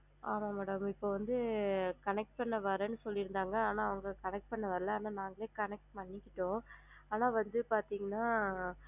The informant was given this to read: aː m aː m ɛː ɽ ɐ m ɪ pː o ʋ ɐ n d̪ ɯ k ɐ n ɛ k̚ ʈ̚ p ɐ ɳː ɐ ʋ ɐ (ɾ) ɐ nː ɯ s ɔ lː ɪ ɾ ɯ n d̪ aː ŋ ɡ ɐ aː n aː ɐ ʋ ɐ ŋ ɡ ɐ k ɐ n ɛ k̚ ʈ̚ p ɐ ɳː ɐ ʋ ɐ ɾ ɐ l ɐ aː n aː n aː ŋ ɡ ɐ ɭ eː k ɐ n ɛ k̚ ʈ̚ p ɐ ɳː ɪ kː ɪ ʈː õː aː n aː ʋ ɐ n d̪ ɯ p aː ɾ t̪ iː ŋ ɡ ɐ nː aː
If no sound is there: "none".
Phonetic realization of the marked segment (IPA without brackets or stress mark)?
ɾ